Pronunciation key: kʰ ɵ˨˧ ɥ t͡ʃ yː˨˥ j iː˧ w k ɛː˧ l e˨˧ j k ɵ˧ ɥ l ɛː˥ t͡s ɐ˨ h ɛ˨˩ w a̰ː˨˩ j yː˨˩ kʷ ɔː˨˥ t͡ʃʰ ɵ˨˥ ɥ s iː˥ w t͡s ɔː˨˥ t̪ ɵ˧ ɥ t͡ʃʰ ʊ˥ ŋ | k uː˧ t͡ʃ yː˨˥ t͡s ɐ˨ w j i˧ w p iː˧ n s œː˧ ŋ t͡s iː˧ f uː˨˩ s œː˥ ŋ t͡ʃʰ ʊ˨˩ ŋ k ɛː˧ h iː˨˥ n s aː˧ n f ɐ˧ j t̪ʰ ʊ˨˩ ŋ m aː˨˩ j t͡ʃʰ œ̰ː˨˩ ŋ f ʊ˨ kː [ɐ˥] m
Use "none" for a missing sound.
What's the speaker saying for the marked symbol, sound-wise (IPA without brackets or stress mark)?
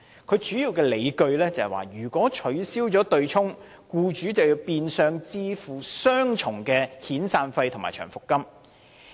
ɐ˥